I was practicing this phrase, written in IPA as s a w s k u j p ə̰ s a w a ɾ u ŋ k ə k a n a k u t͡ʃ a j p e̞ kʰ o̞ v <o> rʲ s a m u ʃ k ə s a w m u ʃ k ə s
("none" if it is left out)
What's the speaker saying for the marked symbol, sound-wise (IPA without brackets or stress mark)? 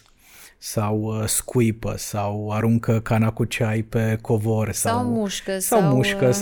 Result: o